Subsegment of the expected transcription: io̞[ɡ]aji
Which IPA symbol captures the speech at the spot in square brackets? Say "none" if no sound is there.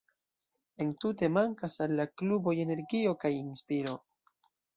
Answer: k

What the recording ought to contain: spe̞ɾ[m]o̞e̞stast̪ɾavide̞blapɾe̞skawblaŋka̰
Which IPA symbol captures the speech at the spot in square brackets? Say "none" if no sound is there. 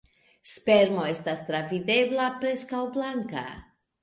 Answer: m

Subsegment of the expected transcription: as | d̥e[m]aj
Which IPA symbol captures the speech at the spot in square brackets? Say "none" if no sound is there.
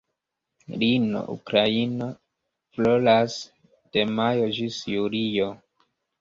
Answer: m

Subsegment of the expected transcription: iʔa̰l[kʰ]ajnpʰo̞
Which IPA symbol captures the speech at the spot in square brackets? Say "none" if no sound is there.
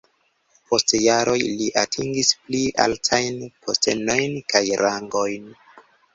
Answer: tʰ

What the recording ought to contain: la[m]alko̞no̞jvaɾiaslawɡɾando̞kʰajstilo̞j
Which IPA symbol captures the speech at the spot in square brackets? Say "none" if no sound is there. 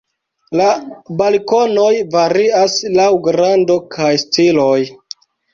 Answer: b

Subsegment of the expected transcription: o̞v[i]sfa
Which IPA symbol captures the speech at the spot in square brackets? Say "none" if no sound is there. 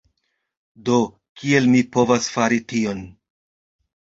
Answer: a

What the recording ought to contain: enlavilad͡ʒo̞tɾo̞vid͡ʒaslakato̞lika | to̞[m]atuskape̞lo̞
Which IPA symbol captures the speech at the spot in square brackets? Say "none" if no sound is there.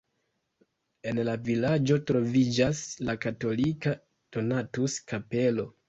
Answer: n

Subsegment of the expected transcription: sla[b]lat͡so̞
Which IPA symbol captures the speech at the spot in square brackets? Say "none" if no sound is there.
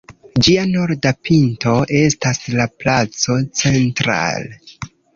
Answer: p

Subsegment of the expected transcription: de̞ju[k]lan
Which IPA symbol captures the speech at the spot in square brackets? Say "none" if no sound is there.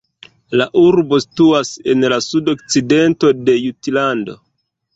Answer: t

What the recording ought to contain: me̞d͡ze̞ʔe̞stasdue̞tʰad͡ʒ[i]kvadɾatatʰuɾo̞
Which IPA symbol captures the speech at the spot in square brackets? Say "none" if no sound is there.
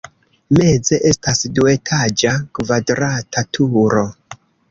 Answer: a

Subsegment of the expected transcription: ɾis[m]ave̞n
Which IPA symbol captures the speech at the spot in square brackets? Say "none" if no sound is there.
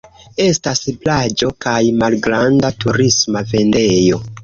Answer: m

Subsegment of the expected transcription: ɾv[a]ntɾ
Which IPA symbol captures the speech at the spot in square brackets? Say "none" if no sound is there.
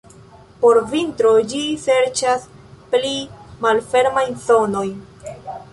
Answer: i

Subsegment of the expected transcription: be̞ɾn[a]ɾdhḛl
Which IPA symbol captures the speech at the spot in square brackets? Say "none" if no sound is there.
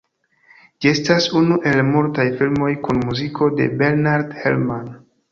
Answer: a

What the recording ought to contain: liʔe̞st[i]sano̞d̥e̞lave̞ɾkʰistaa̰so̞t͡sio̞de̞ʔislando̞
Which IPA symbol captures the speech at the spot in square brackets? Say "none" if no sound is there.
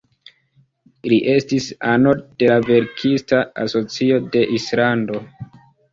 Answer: i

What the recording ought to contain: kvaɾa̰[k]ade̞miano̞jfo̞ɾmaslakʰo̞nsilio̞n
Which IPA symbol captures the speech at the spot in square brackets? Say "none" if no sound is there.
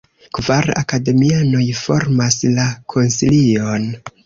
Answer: k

